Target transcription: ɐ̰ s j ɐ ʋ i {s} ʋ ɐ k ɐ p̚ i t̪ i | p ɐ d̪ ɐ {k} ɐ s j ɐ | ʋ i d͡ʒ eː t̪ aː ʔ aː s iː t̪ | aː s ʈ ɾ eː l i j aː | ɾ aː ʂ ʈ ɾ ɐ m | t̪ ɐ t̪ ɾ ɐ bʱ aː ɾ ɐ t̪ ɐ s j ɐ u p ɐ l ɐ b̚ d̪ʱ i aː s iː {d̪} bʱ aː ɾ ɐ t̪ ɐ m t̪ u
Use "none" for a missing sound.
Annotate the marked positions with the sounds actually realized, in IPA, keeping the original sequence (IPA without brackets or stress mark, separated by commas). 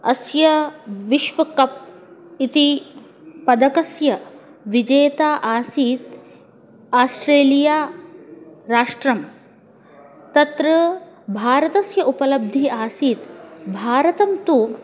ʃ, k, t̪